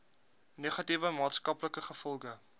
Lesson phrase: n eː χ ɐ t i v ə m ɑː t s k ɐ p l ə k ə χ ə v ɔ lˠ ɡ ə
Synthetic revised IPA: n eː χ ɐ t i v ə m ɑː t s k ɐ p l ə k ə χ ə f ɔ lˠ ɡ ə